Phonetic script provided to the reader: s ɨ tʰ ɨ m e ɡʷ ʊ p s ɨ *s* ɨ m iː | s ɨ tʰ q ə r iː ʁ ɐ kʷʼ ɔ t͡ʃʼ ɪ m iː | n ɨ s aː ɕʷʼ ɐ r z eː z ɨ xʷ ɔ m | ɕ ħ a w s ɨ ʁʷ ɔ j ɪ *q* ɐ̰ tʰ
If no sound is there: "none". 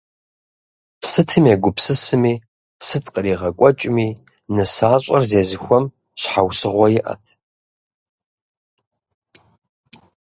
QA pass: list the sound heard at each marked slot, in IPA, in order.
s, ʔ

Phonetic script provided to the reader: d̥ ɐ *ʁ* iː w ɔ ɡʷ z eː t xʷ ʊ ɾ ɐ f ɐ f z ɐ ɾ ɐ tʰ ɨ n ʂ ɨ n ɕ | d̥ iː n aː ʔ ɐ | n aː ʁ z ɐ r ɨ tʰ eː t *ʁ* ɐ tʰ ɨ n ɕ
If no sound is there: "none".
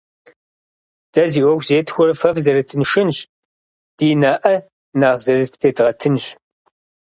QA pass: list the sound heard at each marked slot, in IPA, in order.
z, ʁ

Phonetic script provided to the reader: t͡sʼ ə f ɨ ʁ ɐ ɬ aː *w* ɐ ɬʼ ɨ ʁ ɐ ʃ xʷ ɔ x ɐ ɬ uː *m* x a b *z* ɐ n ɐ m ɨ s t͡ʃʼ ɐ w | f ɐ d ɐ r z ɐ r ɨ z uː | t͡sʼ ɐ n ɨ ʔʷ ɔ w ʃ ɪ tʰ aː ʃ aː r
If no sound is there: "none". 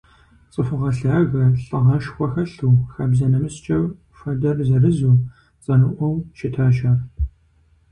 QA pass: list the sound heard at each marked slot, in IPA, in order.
ɣ, none, z

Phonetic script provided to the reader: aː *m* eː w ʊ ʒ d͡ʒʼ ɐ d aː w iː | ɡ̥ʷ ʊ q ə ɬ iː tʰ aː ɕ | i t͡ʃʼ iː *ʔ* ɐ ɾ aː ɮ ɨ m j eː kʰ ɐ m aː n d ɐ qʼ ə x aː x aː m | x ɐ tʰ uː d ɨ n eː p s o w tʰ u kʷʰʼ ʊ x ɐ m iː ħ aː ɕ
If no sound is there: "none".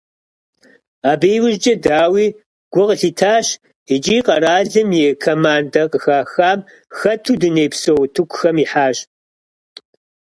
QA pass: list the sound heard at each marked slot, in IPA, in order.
b, q

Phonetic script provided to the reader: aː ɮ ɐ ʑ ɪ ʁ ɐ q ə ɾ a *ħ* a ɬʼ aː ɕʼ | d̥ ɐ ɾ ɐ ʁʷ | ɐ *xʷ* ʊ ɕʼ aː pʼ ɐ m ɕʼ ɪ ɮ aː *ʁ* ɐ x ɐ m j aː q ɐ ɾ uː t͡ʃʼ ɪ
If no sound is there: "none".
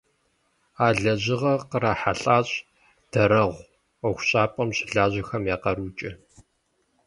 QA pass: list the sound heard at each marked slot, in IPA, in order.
ħ, xʷ, ʑ

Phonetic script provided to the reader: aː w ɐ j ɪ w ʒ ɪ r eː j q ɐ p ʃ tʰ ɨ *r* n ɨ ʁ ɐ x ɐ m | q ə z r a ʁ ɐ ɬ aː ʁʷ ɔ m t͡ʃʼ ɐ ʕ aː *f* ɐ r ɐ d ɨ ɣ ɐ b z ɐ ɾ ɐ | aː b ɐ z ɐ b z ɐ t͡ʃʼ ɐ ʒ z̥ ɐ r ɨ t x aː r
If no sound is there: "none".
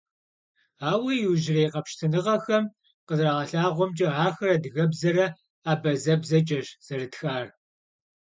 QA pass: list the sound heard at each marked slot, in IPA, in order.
none, x

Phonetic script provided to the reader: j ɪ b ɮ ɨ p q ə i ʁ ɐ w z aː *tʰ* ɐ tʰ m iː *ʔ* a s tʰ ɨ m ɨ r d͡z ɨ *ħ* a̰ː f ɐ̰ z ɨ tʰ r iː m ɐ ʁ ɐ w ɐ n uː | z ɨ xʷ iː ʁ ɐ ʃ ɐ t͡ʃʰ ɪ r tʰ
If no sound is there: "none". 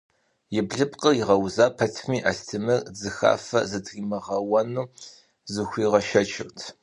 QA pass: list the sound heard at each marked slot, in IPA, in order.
pʰ, ʔ, x

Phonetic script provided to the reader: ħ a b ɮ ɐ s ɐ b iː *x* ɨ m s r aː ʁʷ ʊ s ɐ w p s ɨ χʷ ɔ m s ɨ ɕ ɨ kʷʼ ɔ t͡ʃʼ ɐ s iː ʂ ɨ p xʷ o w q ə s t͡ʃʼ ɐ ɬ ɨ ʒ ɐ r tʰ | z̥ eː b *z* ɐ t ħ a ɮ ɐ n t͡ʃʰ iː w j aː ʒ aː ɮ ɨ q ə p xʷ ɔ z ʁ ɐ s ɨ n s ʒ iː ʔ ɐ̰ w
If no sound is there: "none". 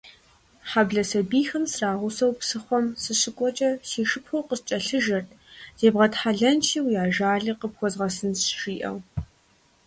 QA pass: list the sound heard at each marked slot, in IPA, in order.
x, ʁ

